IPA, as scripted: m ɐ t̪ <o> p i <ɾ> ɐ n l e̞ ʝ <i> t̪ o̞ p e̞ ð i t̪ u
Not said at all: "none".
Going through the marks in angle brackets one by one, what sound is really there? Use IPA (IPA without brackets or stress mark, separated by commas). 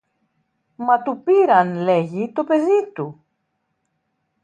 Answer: u, ɾ, i